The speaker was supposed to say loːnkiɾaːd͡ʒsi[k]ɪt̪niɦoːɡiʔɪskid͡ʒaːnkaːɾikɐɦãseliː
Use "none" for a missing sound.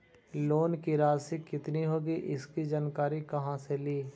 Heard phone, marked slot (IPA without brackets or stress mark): k